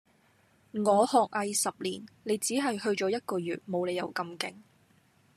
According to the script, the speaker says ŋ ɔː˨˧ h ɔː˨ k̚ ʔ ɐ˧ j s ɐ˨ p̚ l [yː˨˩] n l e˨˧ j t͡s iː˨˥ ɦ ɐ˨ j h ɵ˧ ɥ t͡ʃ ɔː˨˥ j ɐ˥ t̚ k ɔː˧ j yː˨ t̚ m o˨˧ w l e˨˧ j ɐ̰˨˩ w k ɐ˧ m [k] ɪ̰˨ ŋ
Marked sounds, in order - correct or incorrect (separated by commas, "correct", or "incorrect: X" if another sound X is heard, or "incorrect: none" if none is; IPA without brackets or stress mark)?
incorrect: iː˨˩, correct